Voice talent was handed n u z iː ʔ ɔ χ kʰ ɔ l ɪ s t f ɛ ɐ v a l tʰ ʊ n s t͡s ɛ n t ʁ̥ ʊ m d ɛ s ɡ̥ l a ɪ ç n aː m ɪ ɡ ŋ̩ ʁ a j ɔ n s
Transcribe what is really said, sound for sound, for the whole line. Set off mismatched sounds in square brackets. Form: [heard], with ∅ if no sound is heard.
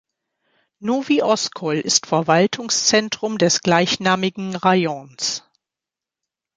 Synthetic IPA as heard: n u [v] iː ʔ ɔ [s] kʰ ɔ l ɪ s t f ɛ ɐ v a l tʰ ʊ [ŋ] s t͡s ɛ n t ʁ̥ ʊ m d ɛ s ɡ̥ l a ɪ ç n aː m ɪ ɡ ŋ̩ ʁ a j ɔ n s